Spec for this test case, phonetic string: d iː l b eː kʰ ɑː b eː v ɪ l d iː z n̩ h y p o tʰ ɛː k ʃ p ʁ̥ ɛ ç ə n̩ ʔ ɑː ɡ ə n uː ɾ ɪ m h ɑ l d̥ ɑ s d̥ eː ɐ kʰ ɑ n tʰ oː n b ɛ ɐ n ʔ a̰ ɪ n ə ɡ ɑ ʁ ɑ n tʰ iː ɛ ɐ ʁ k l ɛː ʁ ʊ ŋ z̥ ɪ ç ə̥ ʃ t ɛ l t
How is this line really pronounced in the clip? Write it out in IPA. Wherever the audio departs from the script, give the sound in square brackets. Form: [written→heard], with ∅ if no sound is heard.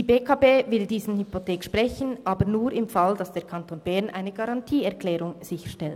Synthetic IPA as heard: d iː [l→∅] b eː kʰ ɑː b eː v ɪ l d iː z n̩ h y p o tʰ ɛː k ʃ p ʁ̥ ɛ ç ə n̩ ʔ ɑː [ɡ→b] ə n uː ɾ ɪ m [h→f] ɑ l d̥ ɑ s d̥ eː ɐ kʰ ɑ n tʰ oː n b ɛ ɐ n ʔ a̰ ɪ n ə ɡ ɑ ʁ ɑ n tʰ iː ɛ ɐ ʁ k l ɛː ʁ ʊ ŋ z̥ ɪ ç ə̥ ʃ t ɛ l t